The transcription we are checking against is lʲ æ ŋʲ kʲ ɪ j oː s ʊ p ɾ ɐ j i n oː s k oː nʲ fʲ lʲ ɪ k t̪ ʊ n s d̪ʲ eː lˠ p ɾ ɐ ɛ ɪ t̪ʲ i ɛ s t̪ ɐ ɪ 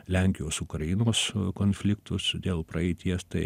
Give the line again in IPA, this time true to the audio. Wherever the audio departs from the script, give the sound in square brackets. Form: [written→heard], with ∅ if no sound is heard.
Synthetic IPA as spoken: lʲ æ ŋʲ kʲ ɪ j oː s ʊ [p→k] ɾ ɐ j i n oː s k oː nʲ fʲ lʲ ɪ k t̪ ʊ [n→∅] s d̪ʲ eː lˠ p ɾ ɐ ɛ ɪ t̪ʲ i ɛ s t̪ ɐ ɪ